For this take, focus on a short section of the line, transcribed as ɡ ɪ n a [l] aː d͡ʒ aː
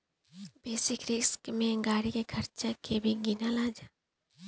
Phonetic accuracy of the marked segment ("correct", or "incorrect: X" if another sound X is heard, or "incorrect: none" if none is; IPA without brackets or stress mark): correct